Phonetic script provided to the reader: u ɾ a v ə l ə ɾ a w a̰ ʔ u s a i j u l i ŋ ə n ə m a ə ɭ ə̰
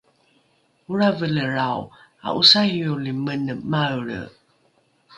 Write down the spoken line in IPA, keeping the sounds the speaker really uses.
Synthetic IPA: u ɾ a v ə l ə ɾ a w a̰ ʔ u s a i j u l i m ə n ə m a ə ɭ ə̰